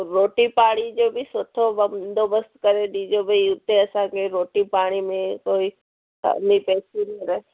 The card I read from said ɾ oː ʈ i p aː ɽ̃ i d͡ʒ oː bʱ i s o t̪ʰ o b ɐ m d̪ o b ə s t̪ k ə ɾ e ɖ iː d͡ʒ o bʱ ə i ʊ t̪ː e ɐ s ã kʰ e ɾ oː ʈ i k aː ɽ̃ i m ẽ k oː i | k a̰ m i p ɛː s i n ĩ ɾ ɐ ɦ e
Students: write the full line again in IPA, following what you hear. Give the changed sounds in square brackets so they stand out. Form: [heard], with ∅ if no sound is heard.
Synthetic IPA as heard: ɾ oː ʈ i p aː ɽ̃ i d͡ʒ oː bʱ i s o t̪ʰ o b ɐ m d̪ o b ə s t̪ k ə ɾ e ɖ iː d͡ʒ o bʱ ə i ʊ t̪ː e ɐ s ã [k] e ɾ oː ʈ i [p] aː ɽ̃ i m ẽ k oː i | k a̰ [n] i p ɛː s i n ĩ ɾ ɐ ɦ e